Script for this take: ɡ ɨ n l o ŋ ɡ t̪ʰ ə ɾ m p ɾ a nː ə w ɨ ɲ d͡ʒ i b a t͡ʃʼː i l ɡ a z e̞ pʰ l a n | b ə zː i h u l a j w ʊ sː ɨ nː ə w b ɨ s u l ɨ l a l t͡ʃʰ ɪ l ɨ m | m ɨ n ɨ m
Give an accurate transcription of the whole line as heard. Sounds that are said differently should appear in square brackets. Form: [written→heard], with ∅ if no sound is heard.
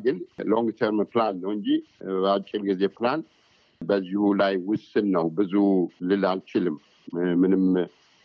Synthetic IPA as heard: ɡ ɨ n l o ŋ ɡ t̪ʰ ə ɾ m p [ɾ→l] a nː ə w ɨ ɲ d͡ʒ i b a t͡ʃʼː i l ɡ [a→i] z e̞ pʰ l a n | b ə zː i h u l a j w ʊ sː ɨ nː ə w b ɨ [s→z] u l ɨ l a l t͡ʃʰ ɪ l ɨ m | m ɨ n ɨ m